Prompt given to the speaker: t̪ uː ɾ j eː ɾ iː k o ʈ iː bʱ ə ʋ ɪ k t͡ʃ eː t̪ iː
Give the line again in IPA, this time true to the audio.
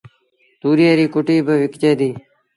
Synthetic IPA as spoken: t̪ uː ɾ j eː ɾ iː k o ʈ iː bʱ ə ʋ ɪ k t͡ʃ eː d̪ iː